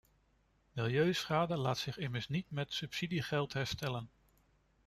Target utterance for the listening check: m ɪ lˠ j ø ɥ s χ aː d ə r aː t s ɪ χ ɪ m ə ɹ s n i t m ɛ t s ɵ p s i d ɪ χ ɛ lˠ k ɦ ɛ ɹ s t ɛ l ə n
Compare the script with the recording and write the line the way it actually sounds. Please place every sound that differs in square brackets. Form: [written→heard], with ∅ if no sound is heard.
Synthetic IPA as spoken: m ɪ lˠ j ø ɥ s χ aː d ə [r→l] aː t s ɪ χ ɪ m ə ɹ s n i t m ɛ t s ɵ p s i d [ɪ→i] χ ɛ lˠ [k→t] ɦ ɛ ɹ s t ɛ l ə n